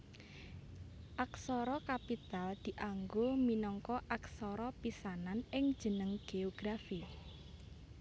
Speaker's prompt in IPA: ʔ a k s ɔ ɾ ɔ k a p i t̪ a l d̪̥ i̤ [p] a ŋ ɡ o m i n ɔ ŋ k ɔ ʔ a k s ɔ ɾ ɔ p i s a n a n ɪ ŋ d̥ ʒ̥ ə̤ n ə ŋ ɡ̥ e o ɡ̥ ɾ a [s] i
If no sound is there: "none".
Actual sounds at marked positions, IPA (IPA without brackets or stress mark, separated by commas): ʔ, f